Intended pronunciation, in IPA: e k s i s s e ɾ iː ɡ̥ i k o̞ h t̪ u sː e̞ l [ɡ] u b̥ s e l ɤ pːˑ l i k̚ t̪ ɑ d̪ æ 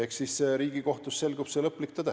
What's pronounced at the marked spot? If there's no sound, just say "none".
ɡ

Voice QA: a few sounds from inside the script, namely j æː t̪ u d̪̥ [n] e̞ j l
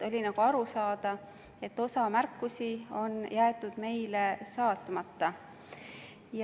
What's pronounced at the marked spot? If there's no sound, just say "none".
m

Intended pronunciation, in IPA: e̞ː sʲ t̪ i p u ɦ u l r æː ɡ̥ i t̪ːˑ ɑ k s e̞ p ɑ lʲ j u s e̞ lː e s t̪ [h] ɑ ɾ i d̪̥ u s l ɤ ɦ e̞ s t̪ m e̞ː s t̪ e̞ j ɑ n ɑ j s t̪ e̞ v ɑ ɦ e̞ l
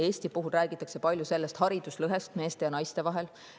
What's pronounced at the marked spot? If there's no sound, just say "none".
h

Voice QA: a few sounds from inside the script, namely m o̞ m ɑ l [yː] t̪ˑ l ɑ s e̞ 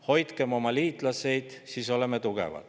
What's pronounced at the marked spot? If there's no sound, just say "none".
iː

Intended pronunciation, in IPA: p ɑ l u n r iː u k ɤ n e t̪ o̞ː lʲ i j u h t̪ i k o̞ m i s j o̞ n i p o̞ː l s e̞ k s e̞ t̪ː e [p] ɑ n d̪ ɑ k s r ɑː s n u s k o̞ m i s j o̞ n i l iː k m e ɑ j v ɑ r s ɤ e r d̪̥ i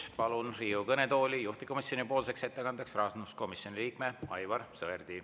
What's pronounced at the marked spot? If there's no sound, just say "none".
k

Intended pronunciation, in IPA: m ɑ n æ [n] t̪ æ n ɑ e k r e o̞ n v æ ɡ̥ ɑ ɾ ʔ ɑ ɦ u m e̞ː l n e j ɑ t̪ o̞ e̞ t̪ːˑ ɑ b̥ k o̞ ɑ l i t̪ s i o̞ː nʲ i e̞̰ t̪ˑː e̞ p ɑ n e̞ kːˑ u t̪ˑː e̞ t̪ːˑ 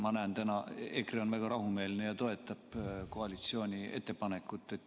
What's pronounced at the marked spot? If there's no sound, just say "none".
n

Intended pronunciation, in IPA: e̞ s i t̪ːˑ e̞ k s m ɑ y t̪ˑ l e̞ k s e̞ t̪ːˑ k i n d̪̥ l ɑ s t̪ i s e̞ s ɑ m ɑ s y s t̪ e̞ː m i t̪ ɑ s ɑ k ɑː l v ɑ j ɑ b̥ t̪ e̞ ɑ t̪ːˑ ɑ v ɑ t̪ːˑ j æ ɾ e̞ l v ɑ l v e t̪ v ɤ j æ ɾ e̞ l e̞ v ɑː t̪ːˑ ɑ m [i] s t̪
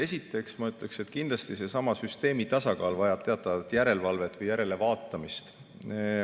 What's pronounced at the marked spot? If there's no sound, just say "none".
i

